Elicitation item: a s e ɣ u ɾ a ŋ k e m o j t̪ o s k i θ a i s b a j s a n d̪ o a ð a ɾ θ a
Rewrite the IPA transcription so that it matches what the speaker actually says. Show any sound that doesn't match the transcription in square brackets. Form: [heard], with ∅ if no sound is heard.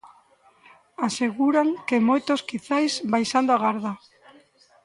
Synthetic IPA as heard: a s e ɣ u ɾ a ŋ k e m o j t̪ o s k i θ a [j] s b a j s a n d̪ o a [ɣ] a ɾ [ð] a